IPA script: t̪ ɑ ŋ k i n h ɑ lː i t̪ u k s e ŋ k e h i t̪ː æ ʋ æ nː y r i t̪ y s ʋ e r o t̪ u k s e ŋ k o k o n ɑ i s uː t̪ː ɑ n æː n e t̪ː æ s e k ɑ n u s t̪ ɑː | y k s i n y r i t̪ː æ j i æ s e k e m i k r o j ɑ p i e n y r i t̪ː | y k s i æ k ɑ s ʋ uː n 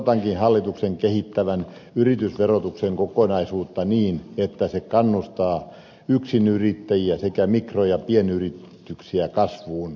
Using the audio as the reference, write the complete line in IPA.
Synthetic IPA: t̪ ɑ ŋ k i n h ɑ lː i t̪ u k s e ŋ k e h i t̪ː æ ʋ æ n y r i t̪ y s ʋ e r o t̪ u k s e ŋ k o k o n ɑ i s uː t̪ː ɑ n iː n e t̪ː æ s e k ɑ nː u s t̪ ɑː | y k s i n y r i t̪ː æ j i æ s e k æ m i k r o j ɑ p i e n y r i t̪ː | y k s i æ k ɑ s ʋ uː n

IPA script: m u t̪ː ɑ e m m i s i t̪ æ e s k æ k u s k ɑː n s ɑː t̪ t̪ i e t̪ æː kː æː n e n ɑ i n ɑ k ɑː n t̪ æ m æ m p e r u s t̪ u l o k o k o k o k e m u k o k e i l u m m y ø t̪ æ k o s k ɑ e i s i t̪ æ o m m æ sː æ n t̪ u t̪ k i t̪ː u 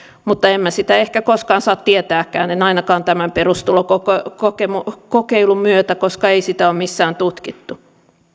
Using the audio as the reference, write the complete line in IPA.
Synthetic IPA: m u t̪ː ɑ e m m æ s i t̪ æ e h k æ k o s k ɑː n s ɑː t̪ t̪ i e t̪ æː kː æː n e n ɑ i n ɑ k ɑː n t̪ æ m æ m p e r u s t̪ u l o k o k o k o k e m u k o k e i l u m m y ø t̪ æ k o s k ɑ e i s i t̪ æ o m m i sː æː n t̪ u t̪ k i t̪ː u

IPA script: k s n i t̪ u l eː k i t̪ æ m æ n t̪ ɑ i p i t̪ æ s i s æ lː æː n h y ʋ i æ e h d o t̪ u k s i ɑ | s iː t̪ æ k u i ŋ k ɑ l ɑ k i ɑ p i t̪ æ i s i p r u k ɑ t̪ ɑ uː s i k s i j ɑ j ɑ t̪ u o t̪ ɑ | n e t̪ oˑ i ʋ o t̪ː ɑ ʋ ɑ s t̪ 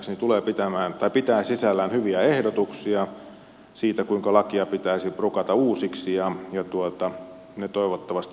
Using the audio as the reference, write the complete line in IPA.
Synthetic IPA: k s n i t̪ u l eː p i t̪ æ m æː n t̪ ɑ i p i t̪ æː s i s æ lː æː n h y ʋ i æ e h d o t̪ u k s i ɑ | s iː t̪ æ k u i ŋ k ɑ l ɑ k i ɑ p i t̪ æ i s i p r u k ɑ t̪ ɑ uː s i k s i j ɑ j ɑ t̪ u o t̪ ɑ | n e t̪ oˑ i ʋ o t̪ː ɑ ʋ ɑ s t̪

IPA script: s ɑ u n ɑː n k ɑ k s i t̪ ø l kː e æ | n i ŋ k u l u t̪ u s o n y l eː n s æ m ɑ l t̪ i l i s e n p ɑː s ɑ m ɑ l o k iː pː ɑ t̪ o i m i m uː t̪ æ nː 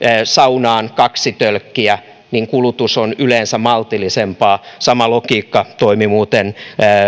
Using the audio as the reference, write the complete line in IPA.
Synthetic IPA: s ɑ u n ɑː n k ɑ k s i t̪ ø l kː i æ | n i ŋ k u l u t̪ u s o n y l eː n s æ m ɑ l t̪ i l i s e m p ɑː s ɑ m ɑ l o k iː kː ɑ t̪ o i m i m uː t̪ e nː

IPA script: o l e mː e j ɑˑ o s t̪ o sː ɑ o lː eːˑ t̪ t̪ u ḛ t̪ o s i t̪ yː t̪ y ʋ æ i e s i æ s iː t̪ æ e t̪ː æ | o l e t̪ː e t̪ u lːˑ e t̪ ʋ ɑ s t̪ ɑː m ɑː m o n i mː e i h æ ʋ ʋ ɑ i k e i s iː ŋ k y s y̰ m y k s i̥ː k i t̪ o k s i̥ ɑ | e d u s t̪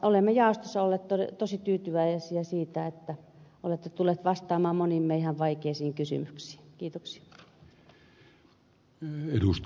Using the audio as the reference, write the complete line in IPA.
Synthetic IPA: o l e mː e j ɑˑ o s t̪ o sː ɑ o lː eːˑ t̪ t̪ o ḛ t̪ o s i t̪ yː t̪ y ʋ æ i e s i æ s iː t̪ æ e t̪ː æ | o l e t̪ː e t̪ u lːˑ e t̪ ʋ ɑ s t̪ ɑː m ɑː m o n i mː e i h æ ʋ ʋ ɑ i k e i s iː ŋ k y s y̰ m y k s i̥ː k iː t̪ o k s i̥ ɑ | e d u s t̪

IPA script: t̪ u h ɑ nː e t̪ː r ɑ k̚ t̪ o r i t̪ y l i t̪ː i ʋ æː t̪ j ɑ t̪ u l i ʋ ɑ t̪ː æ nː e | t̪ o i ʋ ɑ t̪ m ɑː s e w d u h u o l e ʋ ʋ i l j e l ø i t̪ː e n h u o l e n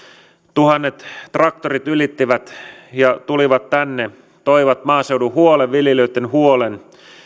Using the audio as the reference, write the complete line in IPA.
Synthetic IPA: t̪ u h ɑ nː e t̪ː r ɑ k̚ t̪ o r i t̪ y l i t̪ː i ʋ æ t̪ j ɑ t̪ u l i ʋ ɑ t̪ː æ nː e | t̪ o i ʋ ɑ t̪ m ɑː s e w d u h u o l e ʋ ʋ i l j e l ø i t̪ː e n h u o l e n

